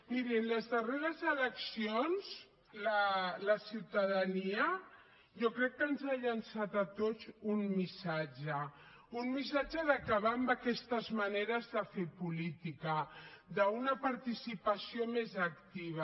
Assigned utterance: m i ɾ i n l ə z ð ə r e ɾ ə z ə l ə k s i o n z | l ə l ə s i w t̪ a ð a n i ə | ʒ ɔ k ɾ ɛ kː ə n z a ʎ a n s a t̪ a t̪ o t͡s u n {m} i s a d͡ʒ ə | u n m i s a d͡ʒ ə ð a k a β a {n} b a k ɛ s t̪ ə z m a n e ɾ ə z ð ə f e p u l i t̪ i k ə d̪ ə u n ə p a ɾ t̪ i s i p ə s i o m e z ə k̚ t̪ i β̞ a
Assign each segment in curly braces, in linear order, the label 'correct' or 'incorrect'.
correct, incorrect: m

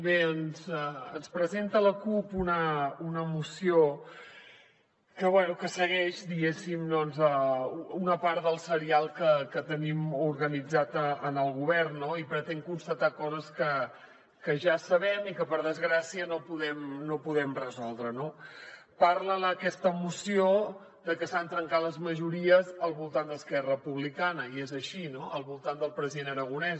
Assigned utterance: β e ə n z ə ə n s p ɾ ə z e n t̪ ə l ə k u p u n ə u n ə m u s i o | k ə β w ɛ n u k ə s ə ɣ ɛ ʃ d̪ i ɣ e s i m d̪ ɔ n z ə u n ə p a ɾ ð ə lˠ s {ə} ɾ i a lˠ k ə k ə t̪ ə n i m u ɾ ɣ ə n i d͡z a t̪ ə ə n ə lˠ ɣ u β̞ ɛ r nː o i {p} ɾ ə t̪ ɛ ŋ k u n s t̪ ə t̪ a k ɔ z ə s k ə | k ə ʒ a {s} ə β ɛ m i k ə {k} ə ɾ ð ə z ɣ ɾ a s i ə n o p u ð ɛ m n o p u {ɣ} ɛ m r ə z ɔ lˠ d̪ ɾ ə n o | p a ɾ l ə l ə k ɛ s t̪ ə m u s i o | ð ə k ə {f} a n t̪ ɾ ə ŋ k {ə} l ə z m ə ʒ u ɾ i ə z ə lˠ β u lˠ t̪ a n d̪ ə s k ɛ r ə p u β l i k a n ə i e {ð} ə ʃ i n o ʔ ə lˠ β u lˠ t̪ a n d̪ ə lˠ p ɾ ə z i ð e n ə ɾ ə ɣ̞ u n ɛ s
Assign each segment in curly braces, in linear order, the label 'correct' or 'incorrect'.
correct, correct, correct, incorrect: p, incorrect: ð, incorrect: s, incorrect: a, incorrect: z

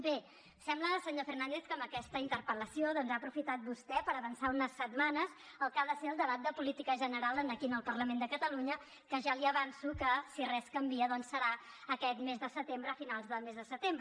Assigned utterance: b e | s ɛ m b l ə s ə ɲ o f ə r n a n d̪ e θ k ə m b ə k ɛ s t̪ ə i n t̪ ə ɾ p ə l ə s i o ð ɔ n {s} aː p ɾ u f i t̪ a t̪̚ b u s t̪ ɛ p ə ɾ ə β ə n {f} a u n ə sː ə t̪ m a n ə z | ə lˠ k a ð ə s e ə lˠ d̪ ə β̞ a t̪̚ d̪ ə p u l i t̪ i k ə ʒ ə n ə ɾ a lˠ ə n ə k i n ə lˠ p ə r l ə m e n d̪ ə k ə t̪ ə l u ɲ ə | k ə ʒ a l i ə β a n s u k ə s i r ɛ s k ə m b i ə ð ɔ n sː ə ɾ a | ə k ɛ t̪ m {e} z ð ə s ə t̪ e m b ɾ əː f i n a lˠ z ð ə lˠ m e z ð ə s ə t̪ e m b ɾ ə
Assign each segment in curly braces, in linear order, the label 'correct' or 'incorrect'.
incorrect: z, incorrect: s, correct

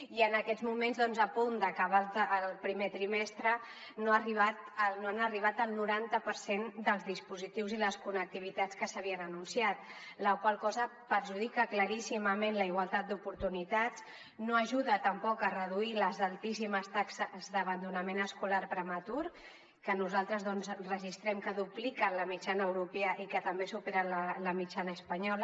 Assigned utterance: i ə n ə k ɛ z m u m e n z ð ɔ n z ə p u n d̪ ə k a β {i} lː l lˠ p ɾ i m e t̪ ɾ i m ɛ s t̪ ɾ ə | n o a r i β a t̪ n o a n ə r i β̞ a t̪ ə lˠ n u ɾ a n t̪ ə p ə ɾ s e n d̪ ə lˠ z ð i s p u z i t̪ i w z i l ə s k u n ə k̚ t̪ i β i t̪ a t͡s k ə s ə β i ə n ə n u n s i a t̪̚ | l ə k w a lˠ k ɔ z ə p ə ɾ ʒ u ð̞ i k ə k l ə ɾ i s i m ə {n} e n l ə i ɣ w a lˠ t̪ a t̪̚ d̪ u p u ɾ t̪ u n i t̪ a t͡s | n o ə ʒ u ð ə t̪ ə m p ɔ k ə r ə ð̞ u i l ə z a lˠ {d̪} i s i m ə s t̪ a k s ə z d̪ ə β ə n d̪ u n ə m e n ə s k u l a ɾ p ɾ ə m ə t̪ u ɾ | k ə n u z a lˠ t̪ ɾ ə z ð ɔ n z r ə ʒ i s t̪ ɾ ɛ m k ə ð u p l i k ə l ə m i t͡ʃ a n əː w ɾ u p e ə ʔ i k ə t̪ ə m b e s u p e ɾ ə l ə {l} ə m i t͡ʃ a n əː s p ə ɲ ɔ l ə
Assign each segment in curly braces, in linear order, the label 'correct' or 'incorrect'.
incorrect: a, incorrect: m, incorrect: t̪, correct

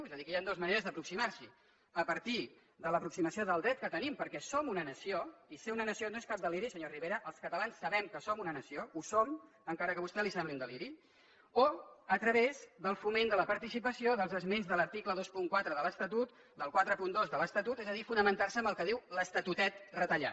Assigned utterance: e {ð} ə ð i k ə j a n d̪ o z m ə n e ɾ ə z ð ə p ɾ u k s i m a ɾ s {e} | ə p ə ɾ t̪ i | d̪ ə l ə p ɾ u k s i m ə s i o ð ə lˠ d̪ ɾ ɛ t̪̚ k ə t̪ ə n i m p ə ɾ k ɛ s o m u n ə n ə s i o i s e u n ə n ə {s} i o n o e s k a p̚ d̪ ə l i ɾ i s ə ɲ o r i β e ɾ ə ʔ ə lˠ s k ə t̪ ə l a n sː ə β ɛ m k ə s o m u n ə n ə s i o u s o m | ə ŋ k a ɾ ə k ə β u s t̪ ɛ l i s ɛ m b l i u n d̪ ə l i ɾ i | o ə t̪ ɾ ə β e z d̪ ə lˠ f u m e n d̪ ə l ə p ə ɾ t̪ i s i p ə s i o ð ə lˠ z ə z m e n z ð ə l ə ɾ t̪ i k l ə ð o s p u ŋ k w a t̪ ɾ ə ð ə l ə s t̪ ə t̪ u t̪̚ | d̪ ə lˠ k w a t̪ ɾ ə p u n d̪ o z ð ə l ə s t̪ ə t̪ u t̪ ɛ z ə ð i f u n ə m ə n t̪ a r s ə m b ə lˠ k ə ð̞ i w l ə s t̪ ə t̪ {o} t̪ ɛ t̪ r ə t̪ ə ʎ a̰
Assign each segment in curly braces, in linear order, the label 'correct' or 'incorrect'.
incorrect: z, incorrect: i, correct, incorrect: u

